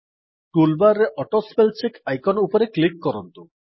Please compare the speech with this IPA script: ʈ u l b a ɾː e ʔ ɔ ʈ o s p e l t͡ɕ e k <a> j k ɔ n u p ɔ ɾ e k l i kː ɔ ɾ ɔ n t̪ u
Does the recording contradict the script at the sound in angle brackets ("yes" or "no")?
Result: no